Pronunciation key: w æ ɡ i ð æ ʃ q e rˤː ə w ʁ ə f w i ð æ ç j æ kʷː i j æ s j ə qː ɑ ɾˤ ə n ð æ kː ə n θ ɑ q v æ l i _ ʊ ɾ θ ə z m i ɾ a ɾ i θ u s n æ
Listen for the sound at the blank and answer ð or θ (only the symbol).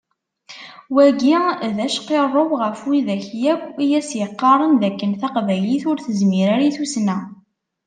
θ